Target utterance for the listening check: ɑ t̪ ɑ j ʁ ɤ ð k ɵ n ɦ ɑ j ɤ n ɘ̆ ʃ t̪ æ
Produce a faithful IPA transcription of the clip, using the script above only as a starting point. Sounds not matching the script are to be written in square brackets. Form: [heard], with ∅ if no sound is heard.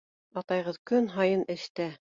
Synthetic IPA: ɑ t̪ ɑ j ʁ ɤ ð k ɵ n ɦ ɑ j ɤ n ɘ̆ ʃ t̪ æ